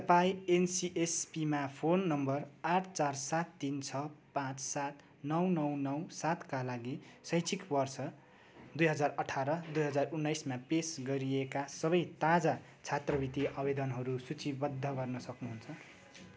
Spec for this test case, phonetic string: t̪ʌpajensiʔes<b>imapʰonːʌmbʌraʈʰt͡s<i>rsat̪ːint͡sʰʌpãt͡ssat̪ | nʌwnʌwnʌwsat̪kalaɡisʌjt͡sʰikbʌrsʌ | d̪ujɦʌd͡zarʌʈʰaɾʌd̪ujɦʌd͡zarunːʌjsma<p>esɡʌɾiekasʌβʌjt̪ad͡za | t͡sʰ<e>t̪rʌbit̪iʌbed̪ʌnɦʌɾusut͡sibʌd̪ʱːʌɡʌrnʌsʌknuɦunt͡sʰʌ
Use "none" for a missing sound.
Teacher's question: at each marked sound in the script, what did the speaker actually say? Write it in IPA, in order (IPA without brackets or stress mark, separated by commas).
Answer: p, a, p, a